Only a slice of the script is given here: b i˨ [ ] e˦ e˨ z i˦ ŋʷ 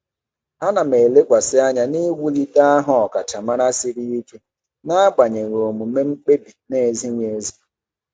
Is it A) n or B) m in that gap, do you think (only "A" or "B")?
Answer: A